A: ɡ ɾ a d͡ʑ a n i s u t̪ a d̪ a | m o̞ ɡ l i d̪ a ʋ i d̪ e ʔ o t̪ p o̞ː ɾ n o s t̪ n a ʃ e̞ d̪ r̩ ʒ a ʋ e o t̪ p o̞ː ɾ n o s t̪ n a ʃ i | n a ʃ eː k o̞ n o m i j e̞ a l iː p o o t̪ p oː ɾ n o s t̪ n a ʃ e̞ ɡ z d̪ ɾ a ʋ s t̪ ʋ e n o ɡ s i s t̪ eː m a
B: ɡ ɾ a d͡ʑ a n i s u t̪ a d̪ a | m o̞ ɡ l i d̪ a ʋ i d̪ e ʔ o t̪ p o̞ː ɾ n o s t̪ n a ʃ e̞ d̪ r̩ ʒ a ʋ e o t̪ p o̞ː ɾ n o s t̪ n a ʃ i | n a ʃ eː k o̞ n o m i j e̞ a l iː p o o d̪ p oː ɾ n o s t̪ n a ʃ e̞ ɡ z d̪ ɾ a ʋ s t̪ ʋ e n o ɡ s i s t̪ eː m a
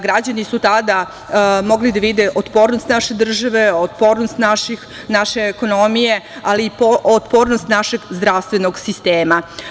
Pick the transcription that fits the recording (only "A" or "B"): A